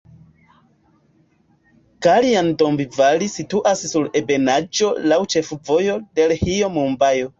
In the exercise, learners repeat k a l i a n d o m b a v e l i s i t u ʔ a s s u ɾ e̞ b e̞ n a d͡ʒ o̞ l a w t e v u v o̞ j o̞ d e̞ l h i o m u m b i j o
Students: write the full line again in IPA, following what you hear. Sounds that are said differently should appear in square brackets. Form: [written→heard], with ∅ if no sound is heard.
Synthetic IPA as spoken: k a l i a n d o m b [a→i] v [e→a] l i s i t u ʔ a s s u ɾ e̞ b e̞ n a d͡ʒ o̞ l a w [t→t͡ʃ] e [v→f] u v o̞ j o̞ d e̞ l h i o m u m b [i→a] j o